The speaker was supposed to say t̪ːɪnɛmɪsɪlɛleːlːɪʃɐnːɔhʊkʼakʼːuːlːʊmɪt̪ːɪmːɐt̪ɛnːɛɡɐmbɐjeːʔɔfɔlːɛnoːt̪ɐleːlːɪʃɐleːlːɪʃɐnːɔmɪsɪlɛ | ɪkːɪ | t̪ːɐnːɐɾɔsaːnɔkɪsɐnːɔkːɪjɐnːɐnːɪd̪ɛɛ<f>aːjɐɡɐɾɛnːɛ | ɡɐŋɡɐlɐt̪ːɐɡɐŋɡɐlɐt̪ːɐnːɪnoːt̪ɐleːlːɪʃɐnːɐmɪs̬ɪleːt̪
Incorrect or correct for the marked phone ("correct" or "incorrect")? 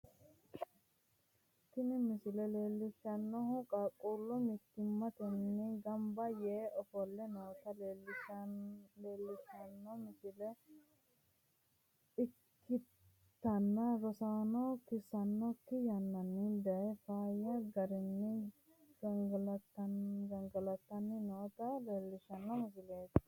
correct